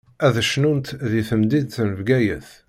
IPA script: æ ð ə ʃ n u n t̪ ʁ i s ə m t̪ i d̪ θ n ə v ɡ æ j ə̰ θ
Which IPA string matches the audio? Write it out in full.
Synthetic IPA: æ ð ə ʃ n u n t̪ ð i θ ə m d̪ i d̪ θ n ə v ɡ æ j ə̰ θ